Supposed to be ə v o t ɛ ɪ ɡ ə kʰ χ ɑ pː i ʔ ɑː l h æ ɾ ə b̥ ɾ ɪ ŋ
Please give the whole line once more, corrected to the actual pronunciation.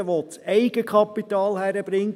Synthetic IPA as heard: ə ʋ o t͡s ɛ ɪ ɡ ə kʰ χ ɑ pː i t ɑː l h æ ɾ ə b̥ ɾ ɪ ŋ